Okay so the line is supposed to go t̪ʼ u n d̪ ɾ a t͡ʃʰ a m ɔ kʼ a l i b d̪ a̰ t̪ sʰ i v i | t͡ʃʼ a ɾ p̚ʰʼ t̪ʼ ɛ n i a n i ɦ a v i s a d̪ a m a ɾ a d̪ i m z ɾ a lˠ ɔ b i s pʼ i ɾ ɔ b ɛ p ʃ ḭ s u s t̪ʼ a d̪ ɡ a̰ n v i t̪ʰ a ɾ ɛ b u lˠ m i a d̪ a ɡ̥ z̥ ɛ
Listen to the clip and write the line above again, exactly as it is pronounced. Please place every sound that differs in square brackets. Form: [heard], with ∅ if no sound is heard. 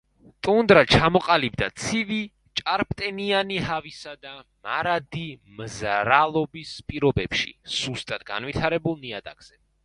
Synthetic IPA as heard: t̪ʼ u n d̪ ɾ a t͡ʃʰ a m ɔ [qʼ] a l i b d̪ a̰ t̪ sʰ i v i | t͡ʃʼ a ɾ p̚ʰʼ t̪ʼ ɛ n i a n i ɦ a v i s a d̪ a m a ɾ a d̪ i m z ɾ a lˠ ɔ b i s pʼ i ɾ ɔ b ɛ p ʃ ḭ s u s t̪ʼ a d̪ ɡ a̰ n v i t̪ʰ a ɾ ɛ b u lˠ [n] i a d̪ a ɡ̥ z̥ ɛ